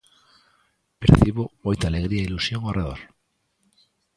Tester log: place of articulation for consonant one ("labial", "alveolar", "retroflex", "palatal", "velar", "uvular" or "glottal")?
labial